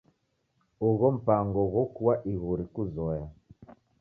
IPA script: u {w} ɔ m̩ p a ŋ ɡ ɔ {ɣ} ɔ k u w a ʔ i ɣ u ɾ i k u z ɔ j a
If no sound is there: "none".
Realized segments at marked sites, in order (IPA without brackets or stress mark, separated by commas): ɣ, ɣ